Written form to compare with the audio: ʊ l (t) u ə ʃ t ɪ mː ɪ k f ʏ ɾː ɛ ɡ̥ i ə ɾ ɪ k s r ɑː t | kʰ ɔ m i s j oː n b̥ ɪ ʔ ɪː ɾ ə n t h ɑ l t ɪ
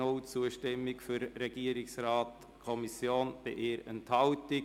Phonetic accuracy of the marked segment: incorrect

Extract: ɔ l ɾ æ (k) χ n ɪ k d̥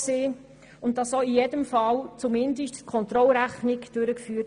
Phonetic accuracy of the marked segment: incorrect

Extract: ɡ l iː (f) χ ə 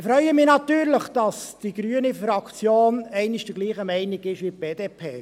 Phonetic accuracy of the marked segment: incorrect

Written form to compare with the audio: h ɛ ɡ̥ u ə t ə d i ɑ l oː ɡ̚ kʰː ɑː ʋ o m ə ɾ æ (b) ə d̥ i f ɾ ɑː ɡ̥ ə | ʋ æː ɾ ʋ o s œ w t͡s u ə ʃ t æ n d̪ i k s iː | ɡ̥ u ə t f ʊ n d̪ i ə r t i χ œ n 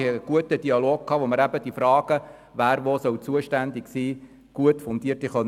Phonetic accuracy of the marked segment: correct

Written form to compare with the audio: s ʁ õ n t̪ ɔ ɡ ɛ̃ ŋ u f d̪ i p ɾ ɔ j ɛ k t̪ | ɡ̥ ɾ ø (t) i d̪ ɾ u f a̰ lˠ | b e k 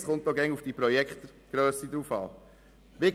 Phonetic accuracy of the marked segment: incorrect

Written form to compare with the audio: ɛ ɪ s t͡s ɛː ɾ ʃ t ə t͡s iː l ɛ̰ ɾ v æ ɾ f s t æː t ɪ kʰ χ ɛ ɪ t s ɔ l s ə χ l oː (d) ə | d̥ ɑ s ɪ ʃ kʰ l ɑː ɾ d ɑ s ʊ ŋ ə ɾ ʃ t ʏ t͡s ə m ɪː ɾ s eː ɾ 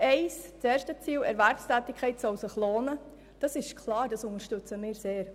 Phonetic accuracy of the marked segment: incorrect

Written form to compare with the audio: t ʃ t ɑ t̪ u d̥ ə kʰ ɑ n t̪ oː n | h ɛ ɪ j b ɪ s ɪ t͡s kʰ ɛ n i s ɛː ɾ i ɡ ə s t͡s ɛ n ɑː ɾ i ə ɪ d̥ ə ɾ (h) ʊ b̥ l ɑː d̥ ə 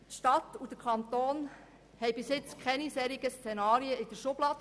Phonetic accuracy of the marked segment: incorrect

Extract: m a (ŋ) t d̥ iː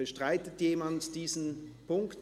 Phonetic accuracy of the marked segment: incorrect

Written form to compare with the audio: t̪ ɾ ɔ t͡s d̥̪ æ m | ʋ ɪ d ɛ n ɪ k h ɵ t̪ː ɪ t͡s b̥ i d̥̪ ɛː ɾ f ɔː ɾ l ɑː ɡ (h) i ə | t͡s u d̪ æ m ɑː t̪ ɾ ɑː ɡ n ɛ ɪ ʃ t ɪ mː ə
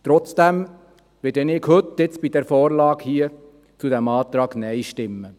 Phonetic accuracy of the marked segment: correct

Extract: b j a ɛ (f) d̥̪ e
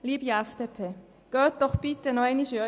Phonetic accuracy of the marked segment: correct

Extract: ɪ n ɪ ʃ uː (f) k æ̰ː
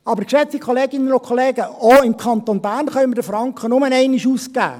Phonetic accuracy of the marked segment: incorrect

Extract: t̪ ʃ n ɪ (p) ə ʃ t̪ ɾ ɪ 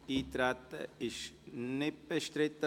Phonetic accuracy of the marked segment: correct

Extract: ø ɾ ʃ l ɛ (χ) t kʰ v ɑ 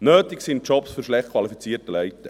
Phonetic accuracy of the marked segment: correct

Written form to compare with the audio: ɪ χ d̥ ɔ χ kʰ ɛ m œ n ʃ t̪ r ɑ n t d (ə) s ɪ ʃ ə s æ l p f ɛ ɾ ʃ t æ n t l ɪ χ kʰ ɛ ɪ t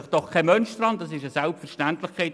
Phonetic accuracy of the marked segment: incorrect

